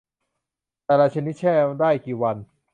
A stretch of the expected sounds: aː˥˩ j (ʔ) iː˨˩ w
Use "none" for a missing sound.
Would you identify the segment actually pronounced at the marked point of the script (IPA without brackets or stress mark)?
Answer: k